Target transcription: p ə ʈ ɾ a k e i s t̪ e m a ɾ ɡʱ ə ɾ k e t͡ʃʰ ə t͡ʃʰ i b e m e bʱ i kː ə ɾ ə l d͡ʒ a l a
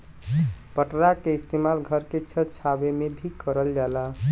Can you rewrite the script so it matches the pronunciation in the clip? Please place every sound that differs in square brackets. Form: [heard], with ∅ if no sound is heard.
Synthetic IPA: p ə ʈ ɾ a k e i s t̪ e m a [l] ɡʱ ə ɾ k e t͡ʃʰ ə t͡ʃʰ [a] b e m e bʱ i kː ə ɾ ə l d͡ʒ a l a